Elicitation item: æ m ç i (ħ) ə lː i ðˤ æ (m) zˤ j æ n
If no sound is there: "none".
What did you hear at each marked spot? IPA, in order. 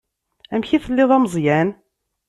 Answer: θ, m

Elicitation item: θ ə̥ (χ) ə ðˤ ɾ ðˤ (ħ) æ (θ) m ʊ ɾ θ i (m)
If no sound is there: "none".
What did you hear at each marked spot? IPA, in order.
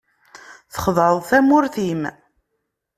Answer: χ, θ, none, m

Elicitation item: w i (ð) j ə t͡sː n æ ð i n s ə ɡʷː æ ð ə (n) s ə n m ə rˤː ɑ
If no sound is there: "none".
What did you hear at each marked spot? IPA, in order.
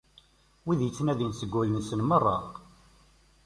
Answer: ð, n

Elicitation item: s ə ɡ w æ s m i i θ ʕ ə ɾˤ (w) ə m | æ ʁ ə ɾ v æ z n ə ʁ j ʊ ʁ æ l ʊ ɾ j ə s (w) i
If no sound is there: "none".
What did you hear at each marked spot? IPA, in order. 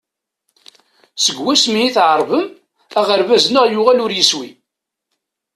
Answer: v, w

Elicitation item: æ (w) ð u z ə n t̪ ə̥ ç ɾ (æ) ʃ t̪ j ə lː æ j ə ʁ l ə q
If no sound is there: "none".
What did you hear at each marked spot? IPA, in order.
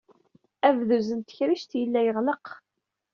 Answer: v, i

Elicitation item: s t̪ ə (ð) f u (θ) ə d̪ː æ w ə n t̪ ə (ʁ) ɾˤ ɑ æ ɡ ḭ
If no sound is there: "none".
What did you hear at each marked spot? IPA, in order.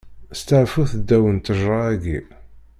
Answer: ʕ, θ, ʒ

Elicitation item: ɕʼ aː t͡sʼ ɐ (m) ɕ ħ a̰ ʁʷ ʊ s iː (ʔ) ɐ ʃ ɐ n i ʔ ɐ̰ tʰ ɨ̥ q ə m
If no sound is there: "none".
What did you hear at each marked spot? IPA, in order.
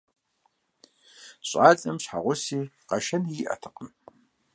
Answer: m, q

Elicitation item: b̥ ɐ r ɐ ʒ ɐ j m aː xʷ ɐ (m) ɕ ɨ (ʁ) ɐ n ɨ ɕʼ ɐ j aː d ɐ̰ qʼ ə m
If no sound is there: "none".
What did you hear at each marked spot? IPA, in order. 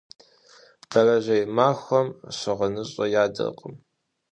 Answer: m, ʁ

